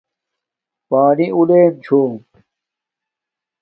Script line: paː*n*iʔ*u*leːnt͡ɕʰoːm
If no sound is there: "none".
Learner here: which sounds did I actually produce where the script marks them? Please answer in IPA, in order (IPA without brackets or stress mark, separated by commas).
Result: n, u